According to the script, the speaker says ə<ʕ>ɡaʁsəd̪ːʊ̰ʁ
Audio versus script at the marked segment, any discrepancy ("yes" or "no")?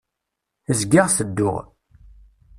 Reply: yes